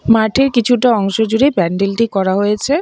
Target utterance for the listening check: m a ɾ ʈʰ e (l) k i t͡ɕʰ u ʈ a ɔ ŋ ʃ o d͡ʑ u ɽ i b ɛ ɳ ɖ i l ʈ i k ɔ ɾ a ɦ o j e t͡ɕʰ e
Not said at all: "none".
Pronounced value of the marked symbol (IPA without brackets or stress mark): ɾ